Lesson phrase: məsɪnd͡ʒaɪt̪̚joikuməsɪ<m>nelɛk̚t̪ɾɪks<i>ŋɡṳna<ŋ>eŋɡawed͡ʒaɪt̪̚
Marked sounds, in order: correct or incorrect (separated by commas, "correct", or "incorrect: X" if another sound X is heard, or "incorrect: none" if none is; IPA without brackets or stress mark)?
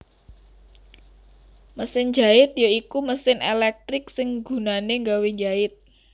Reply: incorrect: none, incorrect: ɪ, incorrect: n